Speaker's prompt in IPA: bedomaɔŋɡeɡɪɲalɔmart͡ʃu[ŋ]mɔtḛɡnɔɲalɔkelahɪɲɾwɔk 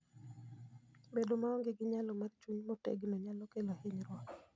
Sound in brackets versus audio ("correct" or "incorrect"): incorrect